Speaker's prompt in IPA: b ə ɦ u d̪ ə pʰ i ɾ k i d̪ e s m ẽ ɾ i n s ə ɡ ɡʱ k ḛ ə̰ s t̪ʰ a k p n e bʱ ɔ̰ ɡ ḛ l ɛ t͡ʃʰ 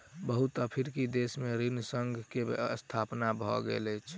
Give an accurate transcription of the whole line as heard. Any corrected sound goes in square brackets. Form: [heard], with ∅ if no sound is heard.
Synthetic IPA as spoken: b ə ɦ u [t̪] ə pʰ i ɾ k i d̪ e s m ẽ ɾ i n s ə [ŋ] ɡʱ k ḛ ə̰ s t̪ʰ a [∅] p n [a] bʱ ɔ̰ ɡ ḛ l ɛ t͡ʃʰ

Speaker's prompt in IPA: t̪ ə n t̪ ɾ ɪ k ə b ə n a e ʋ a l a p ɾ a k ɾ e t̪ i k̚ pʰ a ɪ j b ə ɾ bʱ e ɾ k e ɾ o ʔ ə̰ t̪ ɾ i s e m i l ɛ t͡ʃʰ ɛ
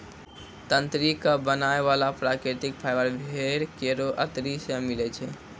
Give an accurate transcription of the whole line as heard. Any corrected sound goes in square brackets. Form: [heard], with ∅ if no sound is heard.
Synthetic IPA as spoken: t̪ ə n t̪ ɾ [i] k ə b ə n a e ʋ a l a p ɾ a k ɾ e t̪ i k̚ pʰ a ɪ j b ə ɾ bʱ e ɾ k e ɾ o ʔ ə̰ t̪ ɾ i s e m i l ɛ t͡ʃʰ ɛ

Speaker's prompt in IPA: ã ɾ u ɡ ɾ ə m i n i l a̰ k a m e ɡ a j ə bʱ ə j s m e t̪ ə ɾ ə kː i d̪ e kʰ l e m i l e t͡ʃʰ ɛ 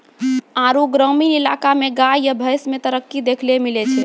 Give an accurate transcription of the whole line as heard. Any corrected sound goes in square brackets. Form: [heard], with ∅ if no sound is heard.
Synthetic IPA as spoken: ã ɾ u ɡ ɾ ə m i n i l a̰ k a m e ɡ a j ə bʱ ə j s m e t̪ ə ɾ ə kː i d̪ e kʰ l e m i l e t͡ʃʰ ɛ

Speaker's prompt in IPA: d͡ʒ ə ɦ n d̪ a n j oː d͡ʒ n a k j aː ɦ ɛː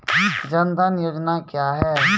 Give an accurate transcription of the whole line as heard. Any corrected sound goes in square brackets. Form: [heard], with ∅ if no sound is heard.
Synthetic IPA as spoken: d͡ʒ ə [∅] n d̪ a n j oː d͡ʒ n a k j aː ɦ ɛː

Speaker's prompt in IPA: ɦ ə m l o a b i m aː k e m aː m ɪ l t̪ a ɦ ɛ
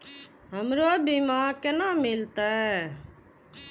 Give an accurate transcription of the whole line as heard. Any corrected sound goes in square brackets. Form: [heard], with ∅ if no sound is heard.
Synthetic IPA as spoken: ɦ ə m [ɾ] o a b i m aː k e [n] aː m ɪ l t̪ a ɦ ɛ

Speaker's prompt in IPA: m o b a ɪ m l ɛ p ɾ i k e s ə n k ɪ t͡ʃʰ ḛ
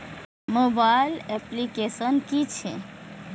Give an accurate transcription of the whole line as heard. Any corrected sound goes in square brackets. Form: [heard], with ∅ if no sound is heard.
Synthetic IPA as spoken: m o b a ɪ [∅] l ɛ p [l] i k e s ə n k [i] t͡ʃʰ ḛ

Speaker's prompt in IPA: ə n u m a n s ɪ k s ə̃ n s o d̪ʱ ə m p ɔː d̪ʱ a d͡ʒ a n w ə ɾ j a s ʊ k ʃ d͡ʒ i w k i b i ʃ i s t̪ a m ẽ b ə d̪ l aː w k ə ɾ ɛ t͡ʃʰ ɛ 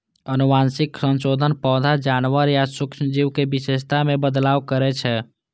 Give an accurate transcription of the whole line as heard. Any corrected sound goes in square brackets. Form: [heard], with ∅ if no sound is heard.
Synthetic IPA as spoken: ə n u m a n s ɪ k s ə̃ n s o d̪ʱ ə [n] p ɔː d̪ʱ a d͡ʒ a n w ə ɾ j a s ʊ k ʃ d͡ʒ i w k [e] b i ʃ [e] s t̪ a m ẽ b ə d̪ l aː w k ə ɾ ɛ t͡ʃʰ ɛ

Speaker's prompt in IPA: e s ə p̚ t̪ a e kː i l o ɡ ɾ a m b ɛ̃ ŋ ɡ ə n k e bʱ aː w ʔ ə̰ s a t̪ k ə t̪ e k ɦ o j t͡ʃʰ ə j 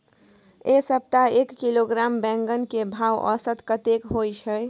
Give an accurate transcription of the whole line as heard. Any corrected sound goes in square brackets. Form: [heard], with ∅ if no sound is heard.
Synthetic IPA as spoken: e s ə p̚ t̪ a e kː i l o ɡ ɾ a m b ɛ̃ ŋ ɡ ə n k e bʱ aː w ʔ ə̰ s [ə] t̪ k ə t̪ e k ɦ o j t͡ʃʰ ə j

